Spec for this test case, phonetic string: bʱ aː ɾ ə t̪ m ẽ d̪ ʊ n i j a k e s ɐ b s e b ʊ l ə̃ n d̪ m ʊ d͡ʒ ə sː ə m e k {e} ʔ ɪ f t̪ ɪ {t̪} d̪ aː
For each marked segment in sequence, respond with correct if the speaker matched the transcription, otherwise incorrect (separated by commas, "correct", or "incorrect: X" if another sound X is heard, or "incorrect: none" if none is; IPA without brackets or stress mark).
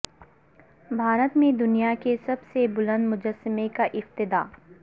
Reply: incorrect: a, incorrect: none